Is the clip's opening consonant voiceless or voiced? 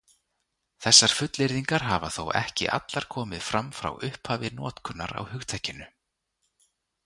voiceless